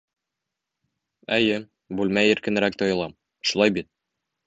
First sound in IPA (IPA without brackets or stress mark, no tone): æ